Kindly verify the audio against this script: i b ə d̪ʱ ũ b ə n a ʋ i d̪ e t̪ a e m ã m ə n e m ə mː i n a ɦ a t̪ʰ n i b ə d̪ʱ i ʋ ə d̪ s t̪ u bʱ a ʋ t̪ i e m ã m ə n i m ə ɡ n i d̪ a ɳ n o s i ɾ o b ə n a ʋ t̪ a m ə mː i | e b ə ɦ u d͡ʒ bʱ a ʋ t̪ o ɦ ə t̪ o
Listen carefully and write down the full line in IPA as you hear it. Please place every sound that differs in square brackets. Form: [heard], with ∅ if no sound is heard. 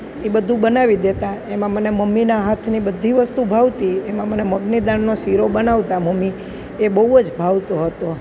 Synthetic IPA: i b ə d̪ʱ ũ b ə n a ʋ i d̪ e t̪ a e m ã m ə n e m ə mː i n a ɦ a t̪ʰ n i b ə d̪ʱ i ʋ ə [∅] s t̪ u bʱ a ʋ t̪ i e m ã m ə n [e] m ə ɡ n i d̪ a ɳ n o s i ɾ o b ə n a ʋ t̪ a m ə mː i | e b ə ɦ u d͡ʒ bʱ a ʋ t̪ o ɦ ə t̪ o